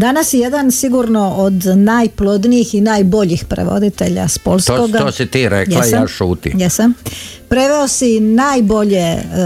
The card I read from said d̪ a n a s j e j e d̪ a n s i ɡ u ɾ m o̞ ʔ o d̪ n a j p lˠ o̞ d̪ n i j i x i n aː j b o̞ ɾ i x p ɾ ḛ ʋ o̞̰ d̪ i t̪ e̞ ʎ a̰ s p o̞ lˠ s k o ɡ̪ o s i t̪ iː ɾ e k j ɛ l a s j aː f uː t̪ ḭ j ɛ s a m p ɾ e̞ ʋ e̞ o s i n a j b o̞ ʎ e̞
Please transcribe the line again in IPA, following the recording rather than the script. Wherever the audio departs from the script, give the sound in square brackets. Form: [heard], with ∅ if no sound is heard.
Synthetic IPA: d̪ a n a s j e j e d̪ a n s i ɡ u ɾ [n] o̞ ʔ o d̪ n a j p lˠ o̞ d̪ n i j i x i n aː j b o̞ [ʎ] i x p ɾ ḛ ʋ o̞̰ d̪ i t̪ e̞ ʎ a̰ s p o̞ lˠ s k o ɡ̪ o s i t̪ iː ɾ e k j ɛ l a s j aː [ʃ] uː t̪ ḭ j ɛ s a m p ɾ e̞ ʋ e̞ o s i n a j b o̞ ʎ e̞